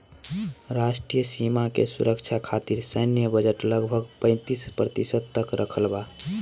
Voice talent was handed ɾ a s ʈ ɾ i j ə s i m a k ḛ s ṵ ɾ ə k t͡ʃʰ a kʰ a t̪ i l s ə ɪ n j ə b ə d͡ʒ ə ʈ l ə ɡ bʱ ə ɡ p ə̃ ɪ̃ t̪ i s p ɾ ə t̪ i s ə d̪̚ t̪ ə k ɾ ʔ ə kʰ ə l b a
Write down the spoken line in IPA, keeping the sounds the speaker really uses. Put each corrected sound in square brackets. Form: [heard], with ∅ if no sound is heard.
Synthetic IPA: ɾ a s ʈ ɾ i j ə s i m a k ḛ s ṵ ɾ ə k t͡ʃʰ a kʰ a t̪ i [ɾ] s ə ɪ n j ə b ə d͡ʒ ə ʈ l ə ɡ bʱ ə ɡ p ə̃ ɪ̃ t̪ i s p ɾ ə t̪ i s ə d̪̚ t̪ ə k ɾ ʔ ə kʰ ə l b a